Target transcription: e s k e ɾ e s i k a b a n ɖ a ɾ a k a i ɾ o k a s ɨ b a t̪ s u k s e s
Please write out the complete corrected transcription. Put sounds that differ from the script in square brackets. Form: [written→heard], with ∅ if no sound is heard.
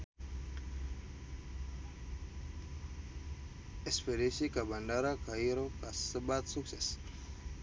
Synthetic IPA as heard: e s [k→p] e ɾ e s i k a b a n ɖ a ɾ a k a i ɾ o k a s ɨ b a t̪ s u k s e s